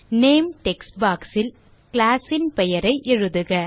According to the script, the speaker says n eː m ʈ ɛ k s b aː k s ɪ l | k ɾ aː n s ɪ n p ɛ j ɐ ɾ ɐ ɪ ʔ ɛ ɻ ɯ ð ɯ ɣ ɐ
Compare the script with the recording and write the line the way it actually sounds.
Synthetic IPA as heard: n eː m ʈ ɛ k s b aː k s ɪ l | k l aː s ɪ n p ɛ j ɐ ɾ ɐ ɪ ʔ ɛ ɻ ɯ ð ɯ ɣ ɐ